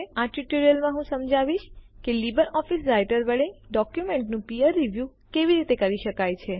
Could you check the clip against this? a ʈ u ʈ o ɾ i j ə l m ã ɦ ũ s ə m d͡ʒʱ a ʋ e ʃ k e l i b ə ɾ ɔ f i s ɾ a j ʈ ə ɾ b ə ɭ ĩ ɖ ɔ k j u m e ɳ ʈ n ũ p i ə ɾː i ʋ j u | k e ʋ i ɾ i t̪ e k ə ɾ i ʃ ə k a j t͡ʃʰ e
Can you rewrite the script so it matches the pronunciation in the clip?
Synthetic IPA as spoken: a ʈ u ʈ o ɾ i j ə l m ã ɦ ũ s ə m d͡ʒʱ a ʋ i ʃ k e l i b ə ɾ ɔ f i s ɾ a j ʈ ə ɾ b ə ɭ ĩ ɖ ɔ k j u m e ɳ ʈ n ũ p i ə ɾː i ʋ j u | k e ʋ i ɾ i t̪ e k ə ɾ i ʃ ə k a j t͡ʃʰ e